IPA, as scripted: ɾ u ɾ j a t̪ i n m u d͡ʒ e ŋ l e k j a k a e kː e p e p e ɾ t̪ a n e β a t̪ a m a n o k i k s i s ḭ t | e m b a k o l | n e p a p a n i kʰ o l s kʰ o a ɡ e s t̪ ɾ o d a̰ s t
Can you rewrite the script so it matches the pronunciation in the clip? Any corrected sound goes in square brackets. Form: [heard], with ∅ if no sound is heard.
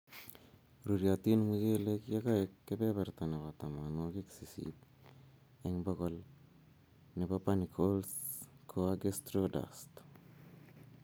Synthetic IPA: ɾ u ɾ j a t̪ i n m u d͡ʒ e [∅] l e k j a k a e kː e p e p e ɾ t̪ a n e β a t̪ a m a n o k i k s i s ḭ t | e [ŋ] b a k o l | n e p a p a n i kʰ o l s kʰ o a ɡ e s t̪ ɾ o d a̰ s t